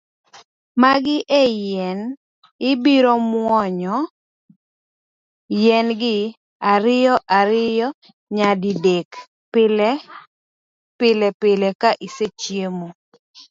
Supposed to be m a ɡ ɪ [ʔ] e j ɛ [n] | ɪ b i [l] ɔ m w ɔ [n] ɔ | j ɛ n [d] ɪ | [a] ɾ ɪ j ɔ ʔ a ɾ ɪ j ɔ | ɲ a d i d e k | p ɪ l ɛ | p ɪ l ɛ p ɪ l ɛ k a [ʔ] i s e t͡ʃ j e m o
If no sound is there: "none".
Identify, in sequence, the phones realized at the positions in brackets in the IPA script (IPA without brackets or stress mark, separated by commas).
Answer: ʔ, n, ɾ, ɲ, ɡ, a, ʔ